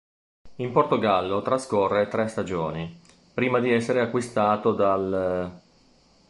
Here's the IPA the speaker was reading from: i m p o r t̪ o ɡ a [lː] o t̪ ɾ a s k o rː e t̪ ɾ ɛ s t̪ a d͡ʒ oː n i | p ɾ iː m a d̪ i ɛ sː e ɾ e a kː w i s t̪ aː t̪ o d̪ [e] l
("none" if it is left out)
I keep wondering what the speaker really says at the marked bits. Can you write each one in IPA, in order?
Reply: lː, a

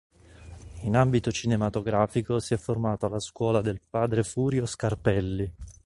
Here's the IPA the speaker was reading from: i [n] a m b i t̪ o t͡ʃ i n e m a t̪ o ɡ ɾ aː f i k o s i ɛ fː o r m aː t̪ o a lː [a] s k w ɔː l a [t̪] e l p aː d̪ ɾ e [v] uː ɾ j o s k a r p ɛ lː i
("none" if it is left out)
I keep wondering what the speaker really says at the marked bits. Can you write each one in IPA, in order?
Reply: n, a, d̪, f

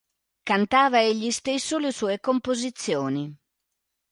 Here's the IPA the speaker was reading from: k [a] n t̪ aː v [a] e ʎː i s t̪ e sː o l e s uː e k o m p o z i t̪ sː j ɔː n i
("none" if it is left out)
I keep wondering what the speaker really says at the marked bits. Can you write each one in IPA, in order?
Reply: a, a

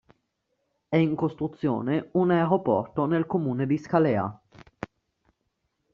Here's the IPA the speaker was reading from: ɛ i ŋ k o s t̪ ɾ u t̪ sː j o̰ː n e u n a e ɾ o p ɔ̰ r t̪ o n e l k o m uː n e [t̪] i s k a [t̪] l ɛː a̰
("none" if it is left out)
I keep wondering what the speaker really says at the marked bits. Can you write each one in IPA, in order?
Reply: d̪, none

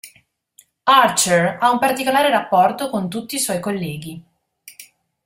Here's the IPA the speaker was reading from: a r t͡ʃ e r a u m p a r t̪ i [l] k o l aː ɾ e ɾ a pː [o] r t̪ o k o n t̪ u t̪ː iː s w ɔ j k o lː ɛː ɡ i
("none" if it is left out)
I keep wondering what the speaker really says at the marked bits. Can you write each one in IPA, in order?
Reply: none, ɔ

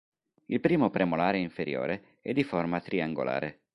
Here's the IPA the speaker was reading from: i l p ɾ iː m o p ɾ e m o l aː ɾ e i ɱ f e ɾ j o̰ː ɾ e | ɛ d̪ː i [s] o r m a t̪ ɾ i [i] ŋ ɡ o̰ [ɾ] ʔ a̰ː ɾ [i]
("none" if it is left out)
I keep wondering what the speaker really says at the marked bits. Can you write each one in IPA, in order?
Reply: f, a, l, e

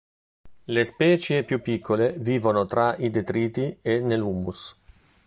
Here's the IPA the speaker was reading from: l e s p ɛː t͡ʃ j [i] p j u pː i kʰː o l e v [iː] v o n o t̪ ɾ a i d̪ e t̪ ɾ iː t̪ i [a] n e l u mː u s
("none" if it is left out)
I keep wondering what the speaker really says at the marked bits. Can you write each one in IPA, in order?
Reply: e, iː, e

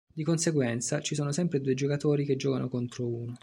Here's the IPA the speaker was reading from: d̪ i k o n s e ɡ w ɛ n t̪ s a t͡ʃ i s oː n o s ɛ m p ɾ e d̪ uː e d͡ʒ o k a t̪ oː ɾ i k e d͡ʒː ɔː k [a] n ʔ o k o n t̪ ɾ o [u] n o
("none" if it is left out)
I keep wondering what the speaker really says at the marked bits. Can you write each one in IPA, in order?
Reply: a, uː

